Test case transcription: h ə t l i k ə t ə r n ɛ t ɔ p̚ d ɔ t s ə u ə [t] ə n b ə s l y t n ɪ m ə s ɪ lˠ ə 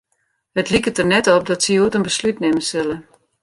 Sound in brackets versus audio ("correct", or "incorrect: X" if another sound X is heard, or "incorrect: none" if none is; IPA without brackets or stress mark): correct